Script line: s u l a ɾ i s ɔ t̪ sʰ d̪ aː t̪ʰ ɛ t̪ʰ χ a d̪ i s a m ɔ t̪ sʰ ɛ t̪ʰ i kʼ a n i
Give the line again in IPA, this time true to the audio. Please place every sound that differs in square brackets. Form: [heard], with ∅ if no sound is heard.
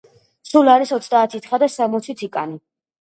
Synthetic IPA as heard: s u l a ɾ i s ɔ t̪ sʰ d̪ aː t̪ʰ [i] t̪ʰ χ a d̪ [a] s a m ɔ t̪ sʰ [i] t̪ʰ i kʼ a n i

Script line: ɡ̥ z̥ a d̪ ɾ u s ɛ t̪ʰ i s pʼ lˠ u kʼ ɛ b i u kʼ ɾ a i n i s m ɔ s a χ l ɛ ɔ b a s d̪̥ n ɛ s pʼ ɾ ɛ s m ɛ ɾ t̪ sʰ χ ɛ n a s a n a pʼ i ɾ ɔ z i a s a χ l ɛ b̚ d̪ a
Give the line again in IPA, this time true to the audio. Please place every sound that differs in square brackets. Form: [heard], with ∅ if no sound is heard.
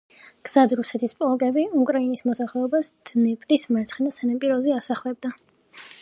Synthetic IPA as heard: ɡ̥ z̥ a d̪ ɾ u s ɛ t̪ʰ i s pʼ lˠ [ɔ] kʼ ɛ b i u kʼ ɾ a i n i s m ɔ s a χ l ɛ ɔ b a s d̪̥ n ɛ [∅] pʼ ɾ [i] s m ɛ ɾ t̪ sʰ χ ɛ n a s a n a pʼ i ɾ ɔ z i a s a χ l ɛ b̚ d̪ a

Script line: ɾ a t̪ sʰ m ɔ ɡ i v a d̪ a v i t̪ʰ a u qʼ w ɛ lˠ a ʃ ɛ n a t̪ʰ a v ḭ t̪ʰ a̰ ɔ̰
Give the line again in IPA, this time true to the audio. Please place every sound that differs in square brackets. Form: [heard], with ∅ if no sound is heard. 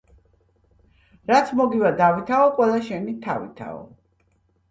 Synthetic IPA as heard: ɾ a t̪ sʰ m ɔ ɡ i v a d̪ a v i t̪ʰ a [ɔ] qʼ w ɛ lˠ a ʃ ɛ n [i] t̪ʰ a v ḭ t̪ʰ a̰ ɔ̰

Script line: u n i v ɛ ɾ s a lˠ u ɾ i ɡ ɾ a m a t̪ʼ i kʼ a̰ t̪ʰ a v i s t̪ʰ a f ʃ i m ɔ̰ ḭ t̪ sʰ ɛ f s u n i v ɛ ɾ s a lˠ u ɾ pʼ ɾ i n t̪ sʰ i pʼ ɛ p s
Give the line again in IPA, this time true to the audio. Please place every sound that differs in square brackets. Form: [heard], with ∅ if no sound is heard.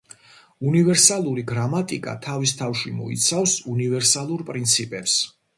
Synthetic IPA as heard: u n i v ɛ ɾ s a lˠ u ɾ i ɡ ɾ a m a t̪ʼ i kʼ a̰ t̪ʰ a v i s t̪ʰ a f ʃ i m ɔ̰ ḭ t̪ sʰ [a] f s u n i v ɛ ɾ s a lˠ u ɾ pʼ ɾ i n t̪ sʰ i pʼ ɛ p s

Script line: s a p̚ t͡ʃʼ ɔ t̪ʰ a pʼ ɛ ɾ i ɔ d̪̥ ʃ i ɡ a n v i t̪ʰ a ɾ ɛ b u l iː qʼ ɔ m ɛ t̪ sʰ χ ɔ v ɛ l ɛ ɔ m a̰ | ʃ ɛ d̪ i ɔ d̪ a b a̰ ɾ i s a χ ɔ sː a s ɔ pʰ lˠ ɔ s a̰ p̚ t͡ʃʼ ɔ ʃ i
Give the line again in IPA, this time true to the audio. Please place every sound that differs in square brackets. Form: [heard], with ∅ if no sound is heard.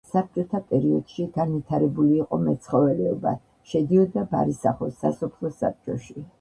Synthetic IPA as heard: s a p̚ t͡ʃʼ ɔ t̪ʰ a pʼ ɛ ɾ i ɔ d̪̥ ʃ i ɡ a n v i t̪ʰ a ɾ ɛ b u l iː qʼ ɔ m ɛ t̪ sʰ χ ɔ v ɛ l ɛ ɔ [b] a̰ | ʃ ɛ d̪ i ɔ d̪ a b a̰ ɾ i s a χ ɔ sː a s ɔ pʰ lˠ ɔ s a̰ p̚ t͡ʃʼ ɔ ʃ i

